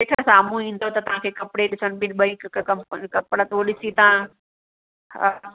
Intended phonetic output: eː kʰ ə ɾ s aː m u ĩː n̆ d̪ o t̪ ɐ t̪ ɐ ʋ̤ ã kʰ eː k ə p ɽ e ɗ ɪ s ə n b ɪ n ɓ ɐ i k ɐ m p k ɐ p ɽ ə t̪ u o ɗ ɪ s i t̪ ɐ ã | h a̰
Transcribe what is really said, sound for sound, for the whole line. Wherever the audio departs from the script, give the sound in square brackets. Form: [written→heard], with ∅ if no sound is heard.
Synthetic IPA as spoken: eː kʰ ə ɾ s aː m u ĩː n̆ d̪ o t̪ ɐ t̪ ɐ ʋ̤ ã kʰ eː k [ə→ɐ] p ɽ e ɗ ɪ s ə n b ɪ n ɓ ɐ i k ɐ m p k ɐ p ɽ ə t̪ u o ɗ ɪ s i t̪ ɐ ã | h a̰

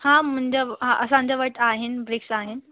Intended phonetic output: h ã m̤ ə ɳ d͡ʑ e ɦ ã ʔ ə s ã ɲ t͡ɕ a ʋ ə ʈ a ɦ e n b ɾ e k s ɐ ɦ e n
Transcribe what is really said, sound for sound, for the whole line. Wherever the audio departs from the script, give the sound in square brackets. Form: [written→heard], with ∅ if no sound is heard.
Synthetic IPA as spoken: h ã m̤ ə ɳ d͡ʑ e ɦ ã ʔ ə s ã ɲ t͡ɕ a ʋ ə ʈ a ɦ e n b ɾ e k s [ɐ→a] ɦ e n

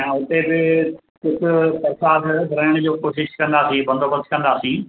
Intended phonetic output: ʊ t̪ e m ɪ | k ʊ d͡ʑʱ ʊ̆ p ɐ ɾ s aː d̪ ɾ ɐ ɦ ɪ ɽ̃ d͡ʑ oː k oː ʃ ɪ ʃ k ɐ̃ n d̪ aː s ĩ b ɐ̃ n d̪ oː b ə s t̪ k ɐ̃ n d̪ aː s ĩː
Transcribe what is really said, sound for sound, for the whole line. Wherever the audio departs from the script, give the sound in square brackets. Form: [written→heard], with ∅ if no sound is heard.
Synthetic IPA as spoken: ʊ t̪ e [m→b] ɪ | k ʊ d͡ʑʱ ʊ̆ p ɐ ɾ s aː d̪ ɾ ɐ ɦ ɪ ɽ̃ d͡ʑ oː k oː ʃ ɪ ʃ k ɐ̃ n d̪ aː s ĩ b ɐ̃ n d̪ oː b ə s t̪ k ɐ̃ n d̪ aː s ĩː

